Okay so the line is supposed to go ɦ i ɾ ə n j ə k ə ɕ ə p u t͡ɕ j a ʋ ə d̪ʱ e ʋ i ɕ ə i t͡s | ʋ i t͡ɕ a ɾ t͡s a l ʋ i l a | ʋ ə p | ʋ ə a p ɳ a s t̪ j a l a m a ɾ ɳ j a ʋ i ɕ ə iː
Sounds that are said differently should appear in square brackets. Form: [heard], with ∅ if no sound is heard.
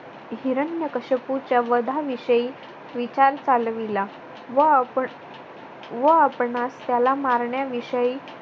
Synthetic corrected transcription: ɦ i ɾ ə n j ə k ə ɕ ə p u t͡ɕ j a ʋ ə d̪ʱ [a] ʋ i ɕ ə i [∅] | ʋ i t͡ɕ a ɾ t͡s a l ʋ i l a | ʋ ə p | ʋ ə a p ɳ a s t̪ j a l a m a ɾ ɳ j a ʋ i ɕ ə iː